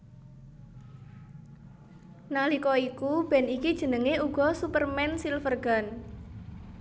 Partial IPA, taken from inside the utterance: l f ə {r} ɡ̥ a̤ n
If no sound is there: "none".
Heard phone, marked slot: r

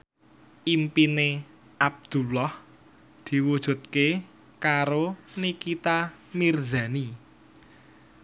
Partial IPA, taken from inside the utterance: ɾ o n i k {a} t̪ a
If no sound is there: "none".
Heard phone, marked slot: i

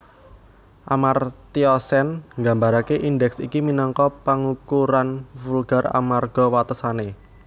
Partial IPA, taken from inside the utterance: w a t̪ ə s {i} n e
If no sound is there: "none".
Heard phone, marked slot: a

